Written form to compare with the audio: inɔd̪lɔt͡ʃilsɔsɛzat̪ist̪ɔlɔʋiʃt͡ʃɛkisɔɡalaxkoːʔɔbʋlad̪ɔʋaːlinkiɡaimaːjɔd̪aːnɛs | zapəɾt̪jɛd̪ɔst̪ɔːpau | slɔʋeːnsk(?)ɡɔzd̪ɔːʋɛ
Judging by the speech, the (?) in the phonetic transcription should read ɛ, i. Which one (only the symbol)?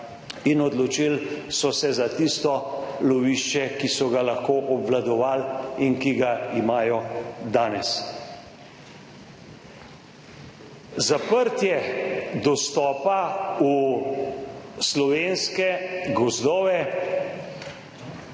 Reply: ɛ